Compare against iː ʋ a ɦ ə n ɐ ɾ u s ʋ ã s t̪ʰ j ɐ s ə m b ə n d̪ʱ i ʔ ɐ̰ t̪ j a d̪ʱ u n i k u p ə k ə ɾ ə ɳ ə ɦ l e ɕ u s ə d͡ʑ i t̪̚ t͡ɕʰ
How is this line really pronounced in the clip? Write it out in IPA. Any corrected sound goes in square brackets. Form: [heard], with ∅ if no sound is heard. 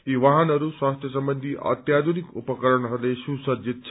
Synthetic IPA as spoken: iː ʋ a ɦ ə n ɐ ɾ u s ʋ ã s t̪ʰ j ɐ s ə m b ə n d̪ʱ i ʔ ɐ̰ t̪ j a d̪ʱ u n i k u p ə k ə ɾ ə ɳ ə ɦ l e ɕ u s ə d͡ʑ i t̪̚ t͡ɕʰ